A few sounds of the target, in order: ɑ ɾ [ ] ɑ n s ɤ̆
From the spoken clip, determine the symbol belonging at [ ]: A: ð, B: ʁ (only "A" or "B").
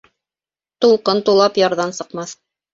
A